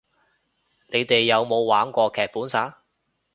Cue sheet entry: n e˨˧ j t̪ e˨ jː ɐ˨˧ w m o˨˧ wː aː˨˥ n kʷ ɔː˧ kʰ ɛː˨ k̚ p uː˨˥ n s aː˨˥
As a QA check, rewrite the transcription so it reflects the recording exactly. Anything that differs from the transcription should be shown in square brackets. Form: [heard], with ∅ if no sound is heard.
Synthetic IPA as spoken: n e˨˧ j t̪ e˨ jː ɐ˨˧ w m o˨˧ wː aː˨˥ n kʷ ɔː˧ kʰ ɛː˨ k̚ p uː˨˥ n s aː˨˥